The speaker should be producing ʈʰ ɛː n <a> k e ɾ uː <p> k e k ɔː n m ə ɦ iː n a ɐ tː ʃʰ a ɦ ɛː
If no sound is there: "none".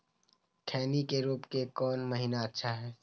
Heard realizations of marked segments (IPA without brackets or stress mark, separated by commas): i, p